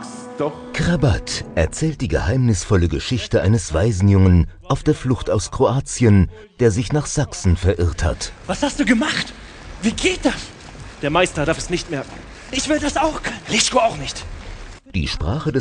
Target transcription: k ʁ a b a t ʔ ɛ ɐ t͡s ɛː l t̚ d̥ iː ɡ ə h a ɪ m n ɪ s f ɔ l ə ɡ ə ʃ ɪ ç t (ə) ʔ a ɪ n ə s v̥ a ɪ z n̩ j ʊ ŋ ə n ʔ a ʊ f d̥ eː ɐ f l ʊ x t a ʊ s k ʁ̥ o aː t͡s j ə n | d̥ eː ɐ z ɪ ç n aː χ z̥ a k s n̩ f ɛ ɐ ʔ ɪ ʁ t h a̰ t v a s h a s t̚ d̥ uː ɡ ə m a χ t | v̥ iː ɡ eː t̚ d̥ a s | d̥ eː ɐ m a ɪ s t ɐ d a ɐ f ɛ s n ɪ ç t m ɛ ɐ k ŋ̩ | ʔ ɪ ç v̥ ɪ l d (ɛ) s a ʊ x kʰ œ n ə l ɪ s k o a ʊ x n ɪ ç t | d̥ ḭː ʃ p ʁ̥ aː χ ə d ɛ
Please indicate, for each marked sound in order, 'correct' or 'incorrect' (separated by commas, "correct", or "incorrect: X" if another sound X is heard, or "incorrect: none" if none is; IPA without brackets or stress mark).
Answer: correct, incorrect: a